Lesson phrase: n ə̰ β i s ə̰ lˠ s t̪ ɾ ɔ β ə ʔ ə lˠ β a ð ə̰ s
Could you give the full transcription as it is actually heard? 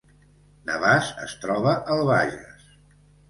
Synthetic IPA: n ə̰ β a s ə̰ s t̪ ɾ ɔ β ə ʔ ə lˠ β a ʒ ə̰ s

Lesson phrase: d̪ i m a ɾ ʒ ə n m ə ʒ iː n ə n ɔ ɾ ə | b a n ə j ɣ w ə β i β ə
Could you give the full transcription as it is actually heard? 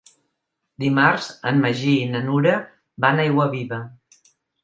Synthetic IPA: d̪ i m a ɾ z ə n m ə ʒ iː n ə n u ɾ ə | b a n a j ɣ w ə β i β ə

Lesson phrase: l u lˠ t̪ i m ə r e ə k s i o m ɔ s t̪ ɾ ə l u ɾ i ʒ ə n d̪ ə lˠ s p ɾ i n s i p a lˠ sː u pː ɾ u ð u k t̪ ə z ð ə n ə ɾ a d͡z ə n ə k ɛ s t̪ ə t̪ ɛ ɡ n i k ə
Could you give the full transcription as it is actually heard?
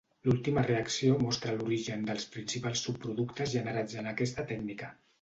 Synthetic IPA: l u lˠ t̪ i m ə r e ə k s i o m ɔ s t̪ ɾ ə l u ɾ i ʒ ə n d̪ ə lˠ s p ɾ i n s i p a lˠ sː u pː ɾ u ð u k t̪ ə z ʒ ə n ə ɾ a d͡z ə n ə k ɛ s t̪ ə t̪ ɛ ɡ n i k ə

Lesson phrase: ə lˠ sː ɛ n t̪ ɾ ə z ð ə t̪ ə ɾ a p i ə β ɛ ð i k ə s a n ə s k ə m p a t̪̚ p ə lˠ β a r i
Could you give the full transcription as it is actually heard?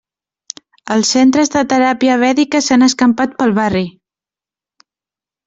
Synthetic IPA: ə lˠ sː e n t̪ ɾ ə z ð ə t̪ ə ɾ a p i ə β ɛ ð i k ə s a n ə s k ə m p a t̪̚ p ə lˠ β a r i

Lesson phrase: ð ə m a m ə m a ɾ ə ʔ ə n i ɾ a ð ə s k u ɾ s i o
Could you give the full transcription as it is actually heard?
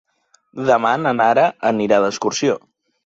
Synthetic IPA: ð ə m a n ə n a ɾ ə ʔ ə n i ɾ a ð ə s k u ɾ s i o

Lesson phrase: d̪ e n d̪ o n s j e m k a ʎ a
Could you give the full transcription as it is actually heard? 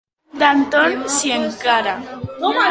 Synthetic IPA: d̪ a n t̪ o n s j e ŋ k a ɾ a

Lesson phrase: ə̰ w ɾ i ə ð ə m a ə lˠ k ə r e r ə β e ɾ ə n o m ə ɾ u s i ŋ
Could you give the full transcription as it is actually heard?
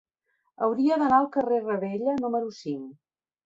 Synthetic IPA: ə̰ w ɾ i ə ð ə n a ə lˠ k ə r e r ə β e ʎ ə n u m ə ɾ u s i ŋ

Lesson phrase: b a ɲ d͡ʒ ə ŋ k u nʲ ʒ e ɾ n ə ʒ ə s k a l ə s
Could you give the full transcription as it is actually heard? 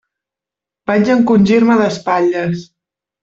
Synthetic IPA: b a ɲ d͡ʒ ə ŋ k u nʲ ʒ i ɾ m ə ð ə s p a ʎ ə s

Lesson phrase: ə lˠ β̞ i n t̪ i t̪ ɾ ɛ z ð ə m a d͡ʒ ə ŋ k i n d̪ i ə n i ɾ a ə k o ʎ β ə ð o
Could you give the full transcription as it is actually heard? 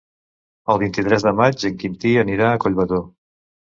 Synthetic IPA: ə lˠ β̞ i n t̪ i t̪ ɾ ɛ z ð ə m a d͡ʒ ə ŋ k i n t̪ i ə n i ɾ a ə k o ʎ β ə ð o

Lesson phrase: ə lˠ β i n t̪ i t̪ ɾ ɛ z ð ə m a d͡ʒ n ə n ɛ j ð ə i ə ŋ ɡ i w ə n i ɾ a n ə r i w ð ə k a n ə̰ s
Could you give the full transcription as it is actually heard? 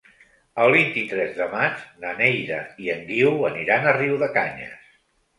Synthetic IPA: ə lˠ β i n t̪ i t̪ ɾ ɛ z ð ə m a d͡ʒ n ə n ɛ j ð ə i ə ŋ ɡ i w ə n i ɾ a n ə r i w ð ə k a ɲ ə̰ s

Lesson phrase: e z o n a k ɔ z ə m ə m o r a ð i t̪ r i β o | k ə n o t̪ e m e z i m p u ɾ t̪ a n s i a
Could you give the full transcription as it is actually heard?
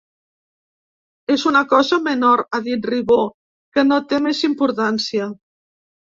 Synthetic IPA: e z u n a k ɔ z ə m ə n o ɾ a ð i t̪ r i β o | k ə n o t̪ e m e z i m p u ɾ t̪ a n s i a

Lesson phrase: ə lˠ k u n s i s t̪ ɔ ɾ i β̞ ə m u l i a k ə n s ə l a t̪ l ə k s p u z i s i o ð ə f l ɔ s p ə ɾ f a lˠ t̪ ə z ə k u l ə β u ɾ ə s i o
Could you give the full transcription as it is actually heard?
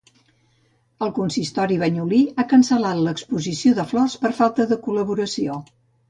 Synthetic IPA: ə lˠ k u n s i s t̪ ɔ ɾ i β̞ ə ɲ u l i a k ə n s ə l a t̪ l ə k s p u z i s i o ð ə f l ɔ s p ə ɾ f a lˠ t̪ ə ð ə k u l ə β u ɾ ə s i o

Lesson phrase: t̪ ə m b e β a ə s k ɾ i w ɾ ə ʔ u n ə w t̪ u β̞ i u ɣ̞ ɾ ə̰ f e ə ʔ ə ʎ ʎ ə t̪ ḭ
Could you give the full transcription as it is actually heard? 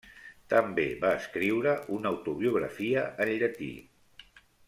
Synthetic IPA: t̪ ə m b e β a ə s k ɾ i w ɾ ə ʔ u n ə w t̪ u β̞ i u ɣ̞ ɾ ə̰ f i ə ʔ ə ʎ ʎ ə t̪ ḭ

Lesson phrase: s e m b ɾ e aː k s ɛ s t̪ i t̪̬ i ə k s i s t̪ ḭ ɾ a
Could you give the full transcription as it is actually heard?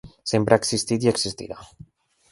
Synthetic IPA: s e m p ɾ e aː k s i s t̪ i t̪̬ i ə k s i s t̪ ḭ ɾ a

